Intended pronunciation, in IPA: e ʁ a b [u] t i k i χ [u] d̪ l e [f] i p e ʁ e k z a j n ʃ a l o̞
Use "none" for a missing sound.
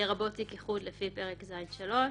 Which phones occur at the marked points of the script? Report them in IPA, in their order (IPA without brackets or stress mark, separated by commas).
o, u, f